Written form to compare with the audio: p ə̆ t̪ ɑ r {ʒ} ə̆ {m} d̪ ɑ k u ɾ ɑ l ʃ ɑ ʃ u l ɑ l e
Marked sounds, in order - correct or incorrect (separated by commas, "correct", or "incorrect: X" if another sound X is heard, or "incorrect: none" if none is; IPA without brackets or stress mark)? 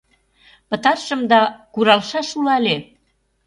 incorrect: ʃ, correct